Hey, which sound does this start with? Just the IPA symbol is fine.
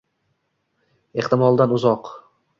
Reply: e̞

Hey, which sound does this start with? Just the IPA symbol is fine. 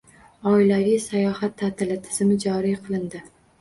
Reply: ɒ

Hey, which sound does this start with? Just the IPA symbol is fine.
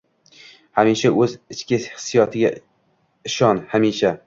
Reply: h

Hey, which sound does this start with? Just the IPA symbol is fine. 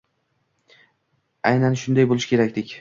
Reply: a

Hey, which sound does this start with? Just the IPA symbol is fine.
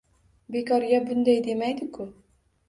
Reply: b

